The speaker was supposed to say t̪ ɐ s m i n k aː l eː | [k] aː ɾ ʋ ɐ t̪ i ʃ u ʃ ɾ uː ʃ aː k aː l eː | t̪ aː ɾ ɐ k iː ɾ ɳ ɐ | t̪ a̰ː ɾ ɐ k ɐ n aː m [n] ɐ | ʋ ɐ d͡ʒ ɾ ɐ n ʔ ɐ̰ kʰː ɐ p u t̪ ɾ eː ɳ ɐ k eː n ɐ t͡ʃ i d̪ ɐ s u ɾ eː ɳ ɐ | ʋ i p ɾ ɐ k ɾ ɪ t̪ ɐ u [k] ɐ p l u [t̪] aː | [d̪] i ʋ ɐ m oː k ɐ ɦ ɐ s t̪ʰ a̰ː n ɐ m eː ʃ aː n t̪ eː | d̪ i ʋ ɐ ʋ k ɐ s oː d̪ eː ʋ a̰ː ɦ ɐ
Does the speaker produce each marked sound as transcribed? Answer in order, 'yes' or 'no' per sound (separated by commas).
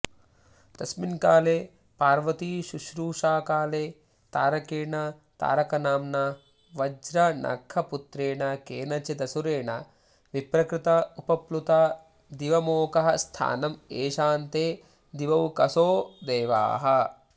no, yes, no, yes, yes